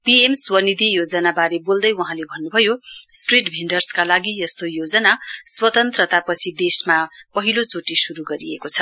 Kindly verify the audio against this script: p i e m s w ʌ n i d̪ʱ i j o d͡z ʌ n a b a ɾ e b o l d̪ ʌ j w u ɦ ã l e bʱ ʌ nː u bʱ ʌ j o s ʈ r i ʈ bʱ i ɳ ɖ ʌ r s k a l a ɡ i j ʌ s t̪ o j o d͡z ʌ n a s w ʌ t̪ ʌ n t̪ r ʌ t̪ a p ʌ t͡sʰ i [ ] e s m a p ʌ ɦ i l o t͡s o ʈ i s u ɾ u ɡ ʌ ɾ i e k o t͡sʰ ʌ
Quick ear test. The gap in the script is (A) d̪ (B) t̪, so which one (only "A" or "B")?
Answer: A